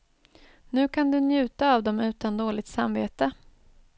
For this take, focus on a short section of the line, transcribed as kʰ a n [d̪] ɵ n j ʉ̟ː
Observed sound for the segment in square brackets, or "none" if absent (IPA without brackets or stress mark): d̪